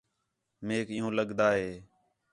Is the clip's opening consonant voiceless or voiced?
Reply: voiced